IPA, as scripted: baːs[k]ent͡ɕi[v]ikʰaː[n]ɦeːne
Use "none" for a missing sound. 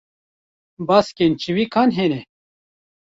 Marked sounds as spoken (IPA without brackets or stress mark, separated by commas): k, w, n